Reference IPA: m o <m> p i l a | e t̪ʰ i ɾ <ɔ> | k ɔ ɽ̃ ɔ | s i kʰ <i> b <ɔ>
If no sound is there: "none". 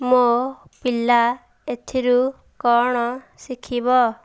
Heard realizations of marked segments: none, u, i, ɔ

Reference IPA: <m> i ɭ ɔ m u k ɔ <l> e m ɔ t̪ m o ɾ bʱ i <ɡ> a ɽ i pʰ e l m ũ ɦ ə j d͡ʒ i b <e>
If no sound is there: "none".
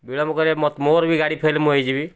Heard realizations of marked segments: b, ɾ, ɡ, i

